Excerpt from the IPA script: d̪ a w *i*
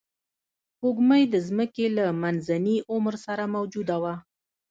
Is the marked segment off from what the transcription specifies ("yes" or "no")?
yes